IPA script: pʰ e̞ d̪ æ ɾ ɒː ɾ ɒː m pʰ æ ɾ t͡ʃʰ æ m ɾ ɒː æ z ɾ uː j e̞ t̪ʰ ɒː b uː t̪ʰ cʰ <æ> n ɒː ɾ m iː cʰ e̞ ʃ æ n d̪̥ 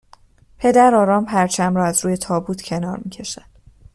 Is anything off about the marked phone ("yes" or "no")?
yes